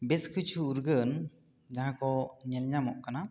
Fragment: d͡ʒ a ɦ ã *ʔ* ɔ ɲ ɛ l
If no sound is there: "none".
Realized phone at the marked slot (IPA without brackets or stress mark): k